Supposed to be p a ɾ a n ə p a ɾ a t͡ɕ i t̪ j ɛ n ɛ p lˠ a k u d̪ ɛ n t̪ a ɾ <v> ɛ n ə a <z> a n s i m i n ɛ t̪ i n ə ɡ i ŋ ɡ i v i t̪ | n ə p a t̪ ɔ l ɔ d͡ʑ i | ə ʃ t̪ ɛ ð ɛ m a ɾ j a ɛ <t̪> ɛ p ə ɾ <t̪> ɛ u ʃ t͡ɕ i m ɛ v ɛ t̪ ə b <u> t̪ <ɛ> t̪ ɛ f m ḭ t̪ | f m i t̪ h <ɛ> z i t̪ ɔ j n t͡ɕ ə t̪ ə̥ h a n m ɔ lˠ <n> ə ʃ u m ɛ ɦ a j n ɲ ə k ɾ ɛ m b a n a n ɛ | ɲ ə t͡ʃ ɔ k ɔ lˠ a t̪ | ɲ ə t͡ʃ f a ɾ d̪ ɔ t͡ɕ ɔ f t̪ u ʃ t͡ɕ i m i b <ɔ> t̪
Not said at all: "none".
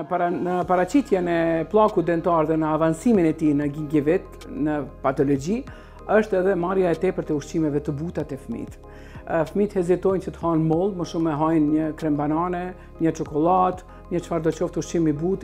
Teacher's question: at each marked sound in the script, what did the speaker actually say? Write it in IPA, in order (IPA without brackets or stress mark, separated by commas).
ð, v, t̪, t̪, u, a, ɛ, m, u